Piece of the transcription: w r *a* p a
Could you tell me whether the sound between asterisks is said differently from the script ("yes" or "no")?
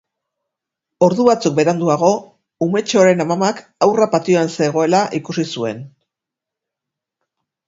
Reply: no